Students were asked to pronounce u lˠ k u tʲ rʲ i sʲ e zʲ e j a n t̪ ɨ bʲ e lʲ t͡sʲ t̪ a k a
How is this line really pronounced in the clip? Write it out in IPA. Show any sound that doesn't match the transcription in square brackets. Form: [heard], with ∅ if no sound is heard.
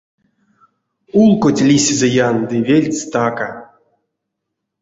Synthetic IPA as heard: u lˠ k [o] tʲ [lʲ] i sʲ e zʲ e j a n [d̪] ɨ [vʲ] e lʲ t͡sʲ t̪ a k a